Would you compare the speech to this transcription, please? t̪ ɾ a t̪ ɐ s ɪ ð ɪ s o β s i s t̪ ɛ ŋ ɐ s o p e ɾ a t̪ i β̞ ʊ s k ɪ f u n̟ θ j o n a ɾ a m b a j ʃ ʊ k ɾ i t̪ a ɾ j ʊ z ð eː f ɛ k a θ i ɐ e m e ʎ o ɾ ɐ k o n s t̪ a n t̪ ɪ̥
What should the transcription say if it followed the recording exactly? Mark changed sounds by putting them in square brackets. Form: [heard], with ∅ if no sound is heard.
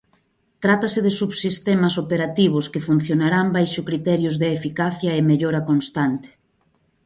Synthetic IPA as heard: t̪ ɾ a t̪ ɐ s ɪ ð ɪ s [u] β s i s t̪ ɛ [m] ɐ s o p e ɾ a t̪ i β̞ ʊ s k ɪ f u n̟ θ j o n a ɾ a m b a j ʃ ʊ k ɾ i t̪ [ɛ] ɾ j ʊ z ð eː f [i] k a θ [j] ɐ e m e ʎ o ɾ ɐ k o n s t̪ a n t̪ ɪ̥